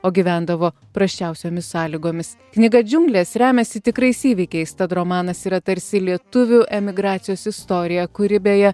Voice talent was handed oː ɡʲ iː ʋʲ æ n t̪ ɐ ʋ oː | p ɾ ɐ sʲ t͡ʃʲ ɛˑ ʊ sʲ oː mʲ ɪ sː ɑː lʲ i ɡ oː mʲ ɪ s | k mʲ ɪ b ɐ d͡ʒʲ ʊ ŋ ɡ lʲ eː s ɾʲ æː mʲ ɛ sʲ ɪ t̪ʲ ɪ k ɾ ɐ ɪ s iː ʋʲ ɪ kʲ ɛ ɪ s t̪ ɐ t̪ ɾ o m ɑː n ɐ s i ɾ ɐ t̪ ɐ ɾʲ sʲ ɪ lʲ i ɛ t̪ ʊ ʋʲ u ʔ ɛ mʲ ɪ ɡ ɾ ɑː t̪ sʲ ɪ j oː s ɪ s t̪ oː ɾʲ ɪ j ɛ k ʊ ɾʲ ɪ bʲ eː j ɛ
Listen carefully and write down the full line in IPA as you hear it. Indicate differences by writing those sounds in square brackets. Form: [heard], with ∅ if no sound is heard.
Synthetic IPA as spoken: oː ɡʲ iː ʋʲ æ n [d̪] ɐ ʋ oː | p ɾ ɐ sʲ t͡ʃʲ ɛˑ ʊ sʲ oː mʲ ɪ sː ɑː lʲ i ɡ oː mʲ ɪ s | k [nʲ] ɪ [ɡ] ɐ d͡ʒʲ ʊ ŋ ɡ lʲ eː s ɾʲ æː mʲ ɛ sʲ ɪ t̪ʲ ɪ k ɾ ɐ ɪ s iː ʋʲ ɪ kʲ ɛ ɪ s t̪ ɐ t̪ ɾ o m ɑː n ɐ s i ɾ ɐ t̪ ɐ ɾʲ sʲ ɪ lʲ i ɛ t̪ ʊ ʋʲ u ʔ ɛ mʲ ɪ ɡ ɾ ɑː t̪ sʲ ɪ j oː s ɪ s t̪ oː ɾʲ ɪ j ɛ k ʊ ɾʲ ɪ bʲ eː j ɛ

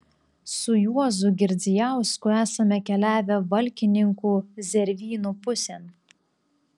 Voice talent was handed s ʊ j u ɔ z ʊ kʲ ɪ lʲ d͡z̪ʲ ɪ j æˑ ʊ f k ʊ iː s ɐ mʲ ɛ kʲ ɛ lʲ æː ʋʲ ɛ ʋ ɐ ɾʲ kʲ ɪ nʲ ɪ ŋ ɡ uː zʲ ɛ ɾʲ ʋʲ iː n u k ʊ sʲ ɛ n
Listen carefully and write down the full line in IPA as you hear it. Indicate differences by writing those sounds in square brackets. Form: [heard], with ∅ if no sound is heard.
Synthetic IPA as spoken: s ʊ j u ɔ z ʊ [ɡʲ] ɪ [ɾʲ] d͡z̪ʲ ɪ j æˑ ʊ [s] k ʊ [æː] s ɐ mʲ ɛ kʲ ɛ lʲ æː ʋʲ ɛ ʋ ɐ [lʲ] kʲ ɪ nʲ ɪ ŋ [k] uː zʲ ɛ ɾʲ ʋʲ iː n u [p] ʊ sʲ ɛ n

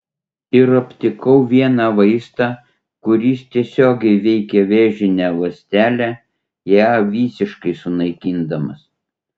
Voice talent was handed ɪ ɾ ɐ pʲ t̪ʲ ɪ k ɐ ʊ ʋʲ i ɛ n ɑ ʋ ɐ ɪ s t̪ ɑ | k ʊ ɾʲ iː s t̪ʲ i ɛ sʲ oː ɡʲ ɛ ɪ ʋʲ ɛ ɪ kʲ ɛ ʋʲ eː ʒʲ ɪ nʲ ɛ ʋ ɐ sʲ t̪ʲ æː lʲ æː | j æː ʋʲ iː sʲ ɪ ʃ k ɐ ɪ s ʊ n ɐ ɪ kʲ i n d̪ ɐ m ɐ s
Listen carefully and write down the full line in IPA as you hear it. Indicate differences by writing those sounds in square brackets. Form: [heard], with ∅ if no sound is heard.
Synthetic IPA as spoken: ɪ ɾ ɐ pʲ t̪ʲ ɪ k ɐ ʊ ʋʲ i ɛ n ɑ ʋ ɐ ɪ s t̪ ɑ | k ʊ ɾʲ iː s t̪ʲ i ɛ sʲ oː ɡʲ ɛ ɪ ʋʲ ɛ ɪ kʲ ɛ ʋʲ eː ʒʲ ɪ nʲ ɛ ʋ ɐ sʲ t̪ʲ æː lʲ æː | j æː ʋʲ iː sʲ ɪ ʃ k ɐ ɪ s ʊ n ɐ ɪ kʲ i n d̪ ɐ m ɐ s

